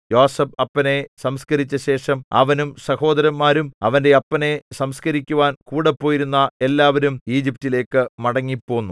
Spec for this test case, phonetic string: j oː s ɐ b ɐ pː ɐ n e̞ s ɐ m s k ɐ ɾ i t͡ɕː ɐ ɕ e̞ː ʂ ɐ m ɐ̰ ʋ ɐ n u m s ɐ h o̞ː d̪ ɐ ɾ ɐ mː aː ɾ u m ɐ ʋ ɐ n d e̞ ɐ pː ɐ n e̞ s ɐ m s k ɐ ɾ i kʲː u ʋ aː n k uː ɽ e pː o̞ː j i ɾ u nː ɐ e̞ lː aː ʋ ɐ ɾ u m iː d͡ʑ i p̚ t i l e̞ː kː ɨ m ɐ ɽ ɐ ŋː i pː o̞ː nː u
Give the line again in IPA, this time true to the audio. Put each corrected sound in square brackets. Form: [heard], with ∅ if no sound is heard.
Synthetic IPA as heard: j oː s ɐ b ɐ pː ɐ n e̞ s ɐ m s k ɐ ɾ i t͡ɕː ɐ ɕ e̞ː ʂ ɐ m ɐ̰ ʋ ɐ n u m s ɐ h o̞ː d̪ ɐ ɾ ɐ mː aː ɾ u m ɐ ʋ ɐ n d e̞ ɐ pː ɐ n e̞ s ɐ m s k ɐ ɾ i kʲː u ʋ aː n k uː ɽ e pː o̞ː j i ɾ u nː ɐ e̞ lː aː ʋ ɐ ɾ u m iː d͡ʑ i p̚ t i l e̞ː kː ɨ m ɐ ɽ ɐ ŋː i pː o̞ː nː u